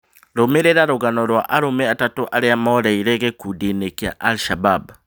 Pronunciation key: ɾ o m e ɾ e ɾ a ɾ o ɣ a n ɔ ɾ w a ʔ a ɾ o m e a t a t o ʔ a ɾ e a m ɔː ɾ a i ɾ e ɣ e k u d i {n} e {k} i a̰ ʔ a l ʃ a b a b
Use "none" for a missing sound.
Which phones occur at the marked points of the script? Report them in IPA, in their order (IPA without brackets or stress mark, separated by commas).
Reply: n, k